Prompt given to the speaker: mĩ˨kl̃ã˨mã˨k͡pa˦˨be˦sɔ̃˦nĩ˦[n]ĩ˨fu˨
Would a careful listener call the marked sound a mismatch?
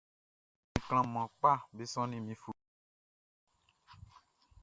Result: yes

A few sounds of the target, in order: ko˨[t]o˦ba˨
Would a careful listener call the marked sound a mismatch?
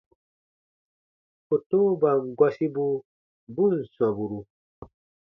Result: no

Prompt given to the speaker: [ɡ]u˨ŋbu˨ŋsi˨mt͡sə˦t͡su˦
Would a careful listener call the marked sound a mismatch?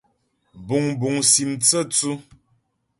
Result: yes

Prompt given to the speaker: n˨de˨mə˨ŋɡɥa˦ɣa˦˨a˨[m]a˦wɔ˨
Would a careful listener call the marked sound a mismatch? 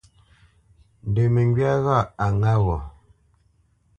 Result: yes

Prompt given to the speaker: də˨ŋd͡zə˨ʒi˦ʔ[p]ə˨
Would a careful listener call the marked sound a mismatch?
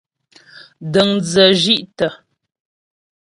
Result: yes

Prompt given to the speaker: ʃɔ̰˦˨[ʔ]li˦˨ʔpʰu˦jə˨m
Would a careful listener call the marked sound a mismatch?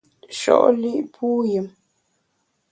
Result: no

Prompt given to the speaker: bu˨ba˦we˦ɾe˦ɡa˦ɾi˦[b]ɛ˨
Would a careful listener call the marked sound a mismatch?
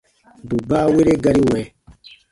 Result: yes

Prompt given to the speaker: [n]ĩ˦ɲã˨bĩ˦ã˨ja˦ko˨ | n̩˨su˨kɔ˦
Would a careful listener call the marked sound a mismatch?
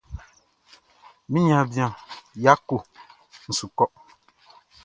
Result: yes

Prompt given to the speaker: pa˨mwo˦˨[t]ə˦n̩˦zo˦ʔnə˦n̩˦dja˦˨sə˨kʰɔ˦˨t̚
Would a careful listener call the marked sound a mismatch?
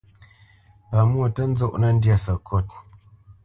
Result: no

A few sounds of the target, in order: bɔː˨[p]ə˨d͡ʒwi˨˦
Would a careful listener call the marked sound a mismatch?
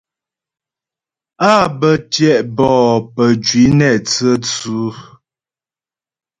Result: no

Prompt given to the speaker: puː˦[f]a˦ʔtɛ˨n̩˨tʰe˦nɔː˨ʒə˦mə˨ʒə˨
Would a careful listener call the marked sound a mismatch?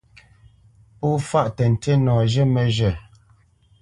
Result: no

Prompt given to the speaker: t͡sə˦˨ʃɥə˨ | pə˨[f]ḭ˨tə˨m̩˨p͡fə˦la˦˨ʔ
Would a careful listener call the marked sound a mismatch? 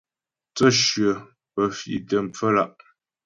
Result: no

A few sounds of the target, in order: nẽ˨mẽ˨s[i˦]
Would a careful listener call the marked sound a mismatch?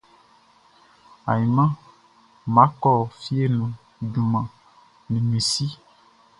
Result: no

